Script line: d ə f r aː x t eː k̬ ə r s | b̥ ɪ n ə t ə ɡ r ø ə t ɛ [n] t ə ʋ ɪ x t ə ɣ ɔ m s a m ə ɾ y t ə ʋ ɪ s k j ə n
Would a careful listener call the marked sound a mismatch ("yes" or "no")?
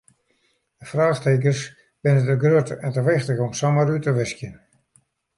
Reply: no